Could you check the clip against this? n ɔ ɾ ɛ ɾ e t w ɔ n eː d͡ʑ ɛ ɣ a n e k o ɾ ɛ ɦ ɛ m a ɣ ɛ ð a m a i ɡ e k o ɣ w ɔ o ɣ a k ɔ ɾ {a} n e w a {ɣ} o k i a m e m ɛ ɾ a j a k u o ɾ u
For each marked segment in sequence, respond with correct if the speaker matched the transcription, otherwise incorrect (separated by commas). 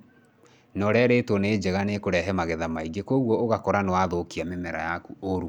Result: correct, incorrect